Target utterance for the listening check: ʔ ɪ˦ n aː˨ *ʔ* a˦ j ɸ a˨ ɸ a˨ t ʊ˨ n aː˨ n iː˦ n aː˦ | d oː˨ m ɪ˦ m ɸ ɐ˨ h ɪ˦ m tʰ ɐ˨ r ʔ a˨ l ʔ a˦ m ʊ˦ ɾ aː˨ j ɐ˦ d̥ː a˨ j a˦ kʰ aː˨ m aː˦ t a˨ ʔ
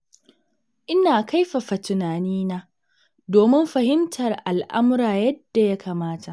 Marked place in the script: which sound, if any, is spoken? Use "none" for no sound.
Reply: k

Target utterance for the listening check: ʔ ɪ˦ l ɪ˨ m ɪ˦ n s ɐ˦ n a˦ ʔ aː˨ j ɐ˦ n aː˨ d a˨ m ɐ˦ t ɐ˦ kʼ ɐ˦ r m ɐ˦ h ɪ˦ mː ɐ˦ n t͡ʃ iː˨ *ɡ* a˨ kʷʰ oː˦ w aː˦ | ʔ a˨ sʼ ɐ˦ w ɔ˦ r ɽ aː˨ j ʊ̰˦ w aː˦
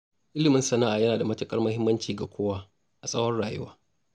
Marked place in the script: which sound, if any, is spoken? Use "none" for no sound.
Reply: ɡ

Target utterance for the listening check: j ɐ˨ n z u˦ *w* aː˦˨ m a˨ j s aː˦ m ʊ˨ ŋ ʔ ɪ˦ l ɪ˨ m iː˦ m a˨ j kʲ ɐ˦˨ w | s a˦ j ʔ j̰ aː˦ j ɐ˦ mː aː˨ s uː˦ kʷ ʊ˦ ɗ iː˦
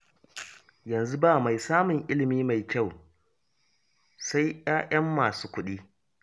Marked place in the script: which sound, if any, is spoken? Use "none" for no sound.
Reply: b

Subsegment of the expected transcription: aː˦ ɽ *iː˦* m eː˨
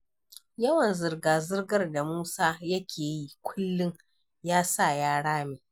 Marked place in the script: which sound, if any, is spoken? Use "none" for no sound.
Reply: aː˦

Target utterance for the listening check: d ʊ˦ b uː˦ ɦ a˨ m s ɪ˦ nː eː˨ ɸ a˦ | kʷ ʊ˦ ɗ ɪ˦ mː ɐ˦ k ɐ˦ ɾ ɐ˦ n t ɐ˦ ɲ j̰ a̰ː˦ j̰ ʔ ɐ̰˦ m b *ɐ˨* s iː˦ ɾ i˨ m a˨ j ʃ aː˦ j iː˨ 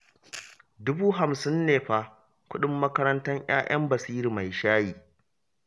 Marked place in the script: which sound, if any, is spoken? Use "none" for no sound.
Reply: ɐ˨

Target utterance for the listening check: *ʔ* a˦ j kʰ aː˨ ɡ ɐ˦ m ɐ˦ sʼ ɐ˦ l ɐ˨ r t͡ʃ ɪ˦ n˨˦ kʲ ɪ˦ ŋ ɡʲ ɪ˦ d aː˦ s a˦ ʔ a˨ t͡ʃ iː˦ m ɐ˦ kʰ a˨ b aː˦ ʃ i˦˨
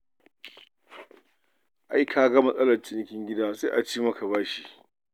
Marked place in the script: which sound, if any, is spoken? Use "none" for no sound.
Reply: ʔ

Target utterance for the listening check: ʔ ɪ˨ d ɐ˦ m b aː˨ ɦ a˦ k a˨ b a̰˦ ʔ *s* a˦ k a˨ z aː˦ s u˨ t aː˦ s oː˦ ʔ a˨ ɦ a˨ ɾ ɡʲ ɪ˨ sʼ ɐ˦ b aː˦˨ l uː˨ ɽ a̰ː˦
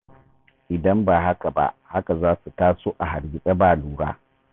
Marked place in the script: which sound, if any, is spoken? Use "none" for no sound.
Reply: h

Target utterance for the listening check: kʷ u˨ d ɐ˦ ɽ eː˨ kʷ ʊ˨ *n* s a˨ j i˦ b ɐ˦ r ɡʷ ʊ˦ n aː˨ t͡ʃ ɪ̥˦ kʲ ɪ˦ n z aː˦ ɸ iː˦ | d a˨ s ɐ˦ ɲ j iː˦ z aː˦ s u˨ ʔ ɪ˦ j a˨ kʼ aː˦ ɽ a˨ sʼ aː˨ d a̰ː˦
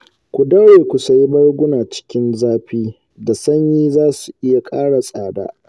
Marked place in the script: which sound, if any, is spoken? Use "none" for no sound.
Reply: none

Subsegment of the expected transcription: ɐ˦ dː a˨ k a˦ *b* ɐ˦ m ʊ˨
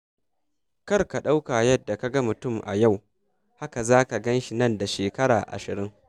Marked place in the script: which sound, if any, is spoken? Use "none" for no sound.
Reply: ɡ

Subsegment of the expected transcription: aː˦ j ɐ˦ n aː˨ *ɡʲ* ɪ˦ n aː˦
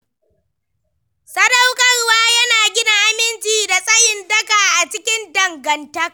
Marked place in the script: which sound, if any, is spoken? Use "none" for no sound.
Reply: ɡʲ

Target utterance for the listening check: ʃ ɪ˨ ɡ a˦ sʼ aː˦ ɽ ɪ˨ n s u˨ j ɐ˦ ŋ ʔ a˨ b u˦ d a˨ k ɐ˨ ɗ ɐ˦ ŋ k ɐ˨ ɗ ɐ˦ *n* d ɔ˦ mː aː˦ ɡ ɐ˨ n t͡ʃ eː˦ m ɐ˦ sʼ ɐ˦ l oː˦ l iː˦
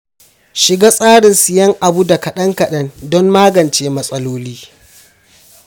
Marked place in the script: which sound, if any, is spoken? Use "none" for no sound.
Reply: n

